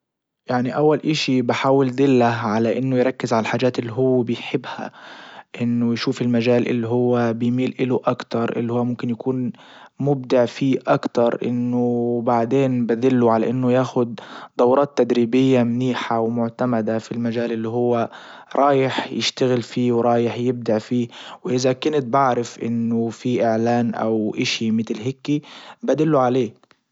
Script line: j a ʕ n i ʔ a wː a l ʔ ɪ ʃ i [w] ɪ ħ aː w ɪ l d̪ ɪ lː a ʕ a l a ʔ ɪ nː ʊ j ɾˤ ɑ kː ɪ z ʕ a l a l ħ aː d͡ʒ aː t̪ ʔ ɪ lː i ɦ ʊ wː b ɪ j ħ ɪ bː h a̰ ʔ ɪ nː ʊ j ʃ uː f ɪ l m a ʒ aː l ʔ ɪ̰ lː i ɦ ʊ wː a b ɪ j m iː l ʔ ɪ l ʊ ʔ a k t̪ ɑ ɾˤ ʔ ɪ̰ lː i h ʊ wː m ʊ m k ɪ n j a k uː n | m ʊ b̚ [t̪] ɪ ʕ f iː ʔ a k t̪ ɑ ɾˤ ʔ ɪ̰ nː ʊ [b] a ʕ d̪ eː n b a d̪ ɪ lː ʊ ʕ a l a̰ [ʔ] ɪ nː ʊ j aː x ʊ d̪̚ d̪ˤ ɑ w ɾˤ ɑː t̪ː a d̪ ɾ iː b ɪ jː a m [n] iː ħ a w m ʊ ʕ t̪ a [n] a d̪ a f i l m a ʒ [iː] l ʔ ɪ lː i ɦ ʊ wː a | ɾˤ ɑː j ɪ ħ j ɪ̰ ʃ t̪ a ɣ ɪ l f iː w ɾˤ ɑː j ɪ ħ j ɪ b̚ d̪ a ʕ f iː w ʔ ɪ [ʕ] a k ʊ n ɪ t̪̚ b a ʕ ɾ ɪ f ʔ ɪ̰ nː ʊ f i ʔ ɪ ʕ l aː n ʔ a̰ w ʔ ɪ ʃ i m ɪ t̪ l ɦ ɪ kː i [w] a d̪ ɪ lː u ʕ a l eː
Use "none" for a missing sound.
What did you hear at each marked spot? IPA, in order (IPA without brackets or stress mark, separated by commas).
b, d̪, b, ʔ, n, m, aː, z, b